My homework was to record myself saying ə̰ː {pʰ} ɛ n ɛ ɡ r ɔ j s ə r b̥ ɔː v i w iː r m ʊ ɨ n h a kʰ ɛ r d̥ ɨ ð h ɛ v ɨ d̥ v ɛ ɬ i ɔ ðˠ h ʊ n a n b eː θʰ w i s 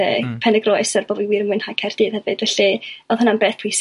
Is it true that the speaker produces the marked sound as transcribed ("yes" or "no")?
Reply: yes